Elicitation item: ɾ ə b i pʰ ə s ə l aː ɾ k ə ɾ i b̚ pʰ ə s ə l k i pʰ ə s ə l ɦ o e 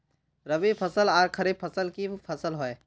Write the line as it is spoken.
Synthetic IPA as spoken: ɾ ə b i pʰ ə s ə l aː ɾ kʰ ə ɾ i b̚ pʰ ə s ə l k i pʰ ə s ə l ɦ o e